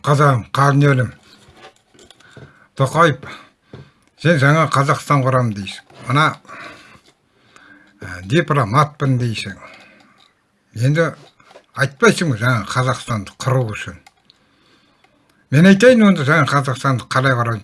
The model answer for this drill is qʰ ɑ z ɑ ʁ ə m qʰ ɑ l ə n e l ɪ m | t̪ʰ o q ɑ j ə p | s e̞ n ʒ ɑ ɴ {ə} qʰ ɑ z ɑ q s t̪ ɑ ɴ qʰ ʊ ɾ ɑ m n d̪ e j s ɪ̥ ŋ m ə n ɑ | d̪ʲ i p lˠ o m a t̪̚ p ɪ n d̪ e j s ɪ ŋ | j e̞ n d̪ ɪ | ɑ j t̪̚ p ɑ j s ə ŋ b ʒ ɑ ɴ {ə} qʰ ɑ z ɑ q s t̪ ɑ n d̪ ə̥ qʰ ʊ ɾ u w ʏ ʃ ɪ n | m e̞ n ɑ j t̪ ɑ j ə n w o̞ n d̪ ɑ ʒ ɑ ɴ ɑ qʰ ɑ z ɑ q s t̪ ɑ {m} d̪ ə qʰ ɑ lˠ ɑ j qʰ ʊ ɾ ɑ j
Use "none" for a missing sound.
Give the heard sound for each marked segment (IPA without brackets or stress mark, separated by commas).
ɑ, ɑ, n